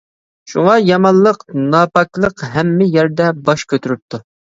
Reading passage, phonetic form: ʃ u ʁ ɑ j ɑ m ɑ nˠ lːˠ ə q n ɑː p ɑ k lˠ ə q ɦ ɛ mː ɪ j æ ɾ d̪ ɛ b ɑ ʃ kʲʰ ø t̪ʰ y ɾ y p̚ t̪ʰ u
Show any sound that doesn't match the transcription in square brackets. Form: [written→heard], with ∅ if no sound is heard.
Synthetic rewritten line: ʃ u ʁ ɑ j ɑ m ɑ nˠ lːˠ ə q n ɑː p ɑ k lˠ ə q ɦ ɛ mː ɪ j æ ɾ d̪ ɛ b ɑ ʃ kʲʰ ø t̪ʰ y ɾ y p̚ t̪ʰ u